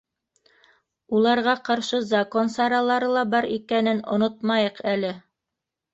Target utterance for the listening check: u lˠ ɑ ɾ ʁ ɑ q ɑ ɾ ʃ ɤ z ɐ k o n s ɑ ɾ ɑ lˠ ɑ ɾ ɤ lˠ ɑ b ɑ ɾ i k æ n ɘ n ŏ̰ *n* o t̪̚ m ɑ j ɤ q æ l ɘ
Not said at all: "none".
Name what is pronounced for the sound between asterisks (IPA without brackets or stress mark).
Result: n